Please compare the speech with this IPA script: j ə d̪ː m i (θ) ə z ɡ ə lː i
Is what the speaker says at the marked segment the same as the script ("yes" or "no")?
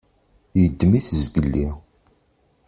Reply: yes